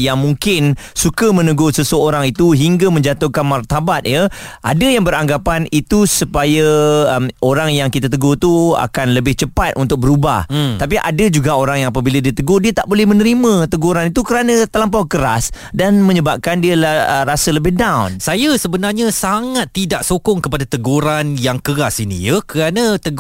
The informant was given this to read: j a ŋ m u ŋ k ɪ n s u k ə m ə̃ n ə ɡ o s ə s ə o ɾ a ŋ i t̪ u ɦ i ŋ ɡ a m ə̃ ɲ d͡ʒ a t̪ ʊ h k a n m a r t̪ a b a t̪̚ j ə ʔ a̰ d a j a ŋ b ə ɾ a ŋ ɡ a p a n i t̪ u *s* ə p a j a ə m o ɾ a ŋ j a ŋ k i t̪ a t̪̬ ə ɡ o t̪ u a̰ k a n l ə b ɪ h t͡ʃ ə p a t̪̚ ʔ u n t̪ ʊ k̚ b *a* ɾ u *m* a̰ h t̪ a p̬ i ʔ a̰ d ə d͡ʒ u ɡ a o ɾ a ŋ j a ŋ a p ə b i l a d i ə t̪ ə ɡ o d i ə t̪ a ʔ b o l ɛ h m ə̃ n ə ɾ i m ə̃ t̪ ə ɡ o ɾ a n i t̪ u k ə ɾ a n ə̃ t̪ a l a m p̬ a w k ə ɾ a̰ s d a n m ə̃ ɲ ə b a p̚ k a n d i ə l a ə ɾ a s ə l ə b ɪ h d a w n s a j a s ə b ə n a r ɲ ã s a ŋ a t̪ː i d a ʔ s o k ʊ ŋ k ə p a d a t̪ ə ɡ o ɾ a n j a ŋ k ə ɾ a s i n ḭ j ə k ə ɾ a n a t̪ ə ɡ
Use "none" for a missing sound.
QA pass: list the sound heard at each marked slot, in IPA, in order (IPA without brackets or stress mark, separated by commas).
s, ə, b